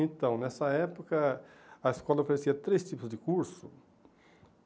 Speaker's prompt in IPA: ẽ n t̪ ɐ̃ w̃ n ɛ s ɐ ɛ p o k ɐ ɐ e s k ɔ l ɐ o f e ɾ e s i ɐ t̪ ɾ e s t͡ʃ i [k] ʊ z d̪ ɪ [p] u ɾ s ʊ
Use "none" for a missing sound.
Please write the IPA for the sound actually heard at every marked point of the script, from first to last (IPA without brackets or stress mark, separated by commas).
p, k